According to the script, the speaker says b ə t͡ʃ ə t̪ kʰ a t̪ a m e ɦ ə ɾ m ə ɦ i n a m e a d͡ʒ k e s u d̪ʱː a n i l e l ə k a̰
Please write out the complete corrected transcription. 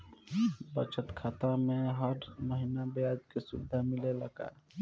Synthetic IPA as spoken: b ə t͡ʃ ə t̪ kʰ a t̪ a m e ɦ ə ɾ m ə ɦ i n a b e a d͡ʒ k e s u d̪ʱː a m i l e l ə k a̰